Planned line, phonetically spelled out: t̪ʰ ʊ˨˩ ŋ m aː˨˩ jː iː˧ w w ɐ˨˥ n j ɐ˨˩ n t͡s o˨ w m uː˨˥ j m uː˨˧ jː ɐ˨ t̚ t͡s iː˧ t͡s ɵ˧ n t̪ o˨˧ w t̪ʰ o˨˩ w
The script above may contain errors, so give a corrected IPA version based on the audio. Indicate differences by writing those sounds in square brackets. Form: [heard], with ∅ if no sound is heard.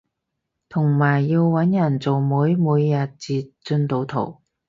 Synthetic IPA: t̪ʰ ʊ˨˩ ŋ m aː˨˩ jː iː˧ w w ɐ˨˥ n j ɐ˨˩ n t͡s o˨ w m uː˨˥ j m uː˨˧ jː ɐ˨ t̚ t͡s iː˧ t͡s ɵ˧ n t̪ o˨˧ w t̪ʰ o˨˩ w